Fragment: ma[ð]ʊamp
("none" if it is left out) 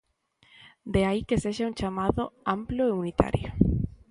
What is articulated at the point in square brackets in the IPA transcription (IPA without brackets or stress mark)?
ð